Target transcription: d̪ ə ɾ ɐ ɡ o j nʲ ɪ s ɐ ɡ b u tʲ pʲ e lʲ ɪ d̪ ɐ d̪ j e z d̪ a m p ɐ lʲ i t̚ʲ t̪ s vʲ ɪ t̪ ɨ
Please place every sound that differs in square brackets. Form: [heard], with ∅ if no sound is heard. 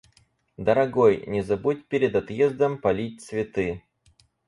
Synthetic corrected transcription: d̪ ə ɾ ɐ ɡ o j nʲ ɪ [z] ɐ [∅] b u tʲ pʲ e [ɾʲ] ɪ d̪ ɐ [t̪] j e z d̪ [ə] m p ɐ lʲ i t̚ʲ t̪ s vʲ ɪ t̪ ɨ